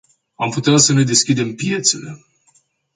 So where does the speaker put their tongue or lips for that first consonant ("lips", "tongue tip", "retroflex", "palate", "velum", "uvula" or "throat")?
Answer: lips